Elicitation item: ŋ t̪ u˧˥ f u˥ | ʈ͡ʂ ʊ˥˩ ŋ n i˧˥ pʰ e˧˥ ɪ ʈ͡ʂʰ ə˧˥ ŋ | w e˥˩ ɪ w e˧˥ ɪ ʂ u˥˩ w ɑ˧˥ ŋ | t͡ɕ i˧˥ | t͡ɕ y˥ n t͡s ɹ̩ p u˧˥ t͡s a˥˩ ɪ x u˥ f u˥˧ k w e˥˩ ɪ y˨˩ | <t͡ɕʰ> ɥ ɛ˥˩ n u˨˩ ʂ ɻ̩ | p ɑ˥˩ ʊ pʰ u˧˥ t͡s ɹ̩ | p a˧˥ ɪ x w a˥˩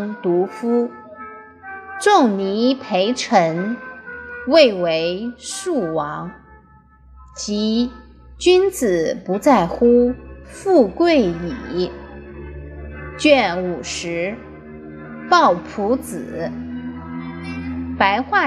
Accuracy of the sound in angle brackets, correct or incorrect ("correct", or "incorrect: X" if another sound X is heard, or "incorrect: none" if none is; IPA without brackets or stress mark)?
incorrect: t͡ɕ